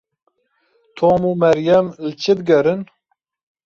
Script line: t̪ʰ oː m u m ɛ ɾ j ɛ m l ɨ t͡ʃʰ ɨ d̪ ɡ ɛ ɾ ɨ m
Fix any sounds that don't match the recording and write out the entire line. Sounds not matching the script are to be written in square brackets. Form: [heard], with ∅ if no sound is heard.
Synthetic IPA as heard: t̪ʰ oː m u m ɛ ɾ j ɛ m l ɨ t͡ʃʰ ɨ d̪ ɡ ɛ ɾ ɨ [n]